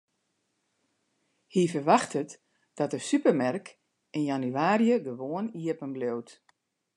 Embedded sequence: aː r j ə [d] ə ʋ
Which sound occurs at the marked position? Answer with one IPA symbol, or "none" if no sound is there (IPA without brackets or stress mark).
ɡ